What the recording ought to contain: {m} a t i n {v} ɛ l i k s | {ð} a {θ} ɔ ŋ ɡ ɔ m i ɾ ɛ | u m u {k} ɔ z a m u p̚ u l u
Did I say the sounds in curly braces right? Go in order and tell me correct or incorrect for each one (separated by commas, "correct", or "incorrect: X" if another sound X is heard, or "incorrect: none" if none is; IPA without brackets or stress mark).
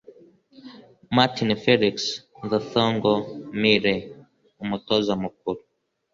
correct, incorrect: f, correct, correct, incorrect: t